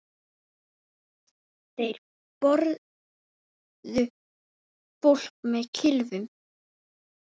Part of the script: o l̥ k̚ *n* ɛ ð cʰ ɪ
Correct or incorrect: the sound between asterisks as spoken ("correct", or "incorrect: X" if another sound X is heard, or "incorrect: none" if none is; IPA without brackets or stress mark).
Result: incorrect: m